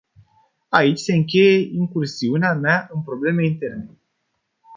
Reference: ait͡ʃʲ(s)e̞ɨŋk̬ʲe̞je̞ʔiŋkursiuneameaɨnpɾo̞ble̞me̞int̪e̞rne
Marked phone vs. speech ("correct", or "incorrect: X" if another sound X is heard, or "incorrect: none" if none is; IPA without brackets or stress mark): correct